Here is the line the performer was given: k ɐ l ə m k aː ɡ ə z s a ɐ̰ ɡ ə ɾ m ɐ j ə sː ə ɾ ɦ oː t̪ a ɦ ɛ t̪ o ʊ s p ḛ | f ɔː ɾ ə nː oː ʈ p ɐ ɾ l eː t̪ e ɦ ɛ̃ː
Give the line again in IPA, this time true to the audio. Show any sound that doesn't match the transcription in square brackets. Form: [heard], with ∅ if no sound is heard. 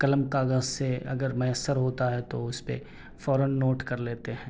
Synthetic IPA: k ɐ l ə m k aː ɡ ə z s [e] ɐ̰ ɡ ə ɾ m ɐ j ə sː ə ɾ ɦ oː t̪ a ɦ ɛ t̪ o ʊ s p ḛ | f ɔː ɾ ə nː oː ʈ [k] ɐ ɾ l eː t̪ e ɦ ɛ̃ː

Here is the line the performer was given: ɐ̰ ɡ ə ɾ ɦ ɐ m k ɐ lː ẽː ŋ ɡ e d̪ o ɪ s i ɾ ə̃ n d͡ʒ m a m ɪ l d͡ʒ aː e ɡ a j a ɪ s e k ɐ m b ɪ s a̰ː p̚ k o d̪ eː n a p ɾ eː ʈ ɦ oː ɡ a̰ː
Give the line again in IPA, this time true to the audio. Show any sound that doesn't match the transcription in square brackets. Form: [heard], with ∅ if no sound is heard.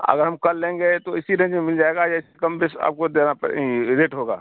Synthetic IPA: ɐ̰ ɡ ə ɾ ɦ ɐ m k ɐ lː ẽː ŋ ɡ e [t̪] o ɪ s i ɾ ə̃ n d͡ʒ m [e] m ɪ l d͡ʒ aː e ɡ a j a ɪ s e k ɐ m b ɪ s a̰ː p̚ k o d̪ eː n a p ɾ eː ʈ ɦ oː ɡ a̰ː

